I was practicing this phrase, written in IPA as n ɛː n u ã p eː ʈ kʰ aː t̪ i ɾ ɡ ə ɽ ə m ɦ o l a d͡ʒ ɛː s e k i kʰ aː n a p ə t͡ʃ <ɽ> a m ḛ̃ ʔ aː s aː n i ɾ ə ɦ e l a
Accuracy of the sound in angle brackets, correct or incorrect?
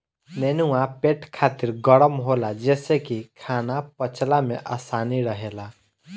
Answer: incorrect